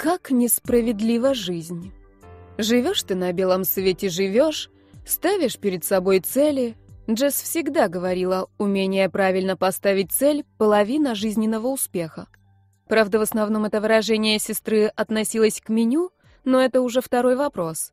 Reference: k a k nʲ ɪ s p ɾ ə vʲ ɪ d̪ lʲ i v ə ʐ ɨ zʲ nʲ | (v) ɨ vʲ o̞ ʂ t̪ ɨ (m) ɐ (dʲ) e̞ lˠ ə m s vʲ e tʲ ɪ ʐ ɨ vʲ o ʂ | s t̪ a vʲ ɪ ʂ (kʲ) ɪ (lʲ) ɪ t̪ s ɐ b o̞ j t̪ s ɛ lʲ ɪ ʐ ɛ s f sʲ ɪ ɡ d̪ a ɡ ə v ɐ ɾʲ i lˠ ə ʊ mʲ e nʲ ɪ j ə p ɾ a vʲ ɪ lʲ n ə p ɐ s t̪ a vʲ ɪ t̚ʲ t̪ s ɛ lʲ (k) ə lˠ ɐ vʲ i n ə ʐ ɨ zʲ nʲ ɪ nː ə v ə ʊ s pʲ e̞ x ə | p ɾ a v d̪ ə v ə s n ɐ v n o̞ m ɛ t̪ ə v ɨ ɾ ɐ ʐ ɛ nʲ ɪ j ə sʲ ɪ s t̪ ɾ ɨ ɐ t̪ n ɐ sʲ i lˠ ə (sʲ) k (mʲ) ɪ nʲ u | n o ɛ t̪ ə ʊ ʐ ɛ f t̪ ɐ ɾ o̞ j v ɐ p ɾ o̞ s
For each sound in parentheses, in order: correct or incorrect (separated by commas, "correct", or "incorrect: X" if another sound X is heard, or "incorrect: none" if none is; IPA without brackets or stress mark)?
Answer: incorrect: ʐ, incorrect: n, incorrect: bʲ, incorrect: pʲ, incorrect: ɾʲ, incorrect: p, correct, correct